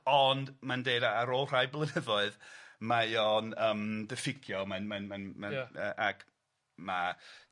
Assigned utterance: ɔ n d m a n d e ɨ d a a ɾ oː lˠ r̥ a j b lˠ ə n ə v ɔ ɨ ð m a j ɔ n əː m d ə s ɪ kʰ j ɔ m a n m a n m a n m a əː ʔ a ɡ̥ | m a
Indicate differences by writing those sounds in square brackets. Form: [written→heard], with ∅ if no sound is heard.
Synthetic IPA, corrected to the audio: ɔ n d m a n d e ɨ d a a ɾ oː lˠ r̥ a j b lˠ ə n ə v ɔ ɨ ð m a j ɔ n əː m d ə [s→f] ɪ kʰ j ɔ m a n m a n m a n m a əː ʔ a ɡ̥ | m a